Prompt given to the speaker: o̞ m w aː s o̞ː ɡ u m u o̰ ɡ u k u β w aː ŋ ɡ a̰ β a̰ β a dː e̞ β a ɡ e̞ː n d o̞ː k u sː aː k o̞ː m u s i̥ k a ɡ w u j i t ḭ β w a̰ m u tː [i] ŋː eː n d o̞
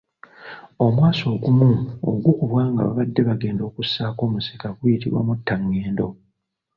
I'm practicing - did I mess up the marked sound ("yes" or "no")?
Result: yes